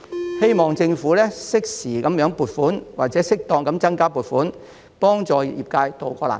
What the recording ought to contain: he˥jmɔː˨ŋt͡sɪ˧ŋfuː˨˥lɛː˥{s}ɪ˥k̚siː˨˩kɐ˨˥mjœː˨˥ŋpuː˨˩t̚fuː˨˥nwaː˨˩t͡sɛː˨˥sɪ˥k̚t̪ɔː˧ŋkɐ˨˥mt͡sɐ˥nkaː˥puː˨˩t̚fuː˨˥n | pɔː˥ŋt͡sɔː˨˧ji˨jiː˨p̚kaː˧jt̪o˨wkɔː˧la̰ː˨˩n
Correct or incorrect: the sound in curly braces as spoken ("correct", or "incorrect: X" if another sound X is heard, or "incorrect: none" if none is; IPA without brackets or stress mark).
correct